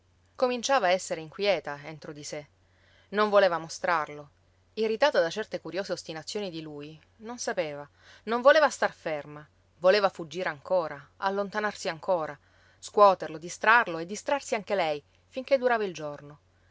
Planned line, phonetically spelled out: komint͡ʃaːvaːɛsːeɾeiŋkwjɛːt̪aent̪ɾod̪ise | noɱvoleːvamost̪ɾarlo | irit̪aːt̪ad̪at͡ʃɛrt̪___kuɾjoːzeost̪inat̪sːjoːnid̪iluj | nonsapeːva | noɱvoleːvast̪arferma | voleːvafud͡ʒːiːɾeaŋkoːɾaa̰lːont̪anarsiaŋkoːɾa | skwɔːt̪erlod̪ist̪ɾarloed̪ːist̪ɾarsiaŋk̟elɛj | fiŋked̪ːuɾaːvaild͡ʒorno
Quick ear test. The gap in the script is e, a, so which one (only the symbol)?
e